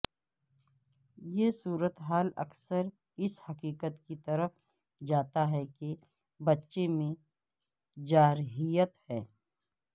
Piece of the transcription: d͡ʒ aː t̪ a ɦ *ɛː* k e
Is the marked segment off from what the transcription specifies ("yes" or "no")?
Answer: yes